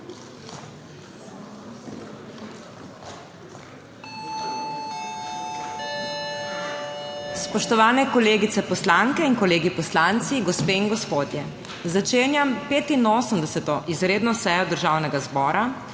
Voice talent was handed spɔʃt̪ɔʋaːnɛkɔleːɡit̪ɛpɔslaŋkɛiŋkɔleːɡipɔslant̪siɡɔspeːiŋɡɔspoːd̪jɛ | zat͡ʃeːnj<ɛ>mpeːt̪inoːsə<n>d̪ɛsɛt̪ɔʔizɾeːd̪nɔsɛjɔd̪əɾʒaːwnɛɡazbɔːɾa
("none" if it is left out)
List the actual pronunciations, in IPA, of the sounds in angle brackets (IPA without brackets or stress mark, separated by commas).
a, m